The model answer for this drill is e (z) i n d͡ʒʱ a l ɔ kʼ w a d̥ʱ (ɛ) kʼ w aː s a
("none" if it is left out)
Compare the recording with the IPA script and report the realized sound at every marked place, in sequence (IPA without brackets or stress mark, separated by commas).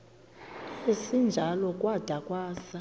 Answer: s, a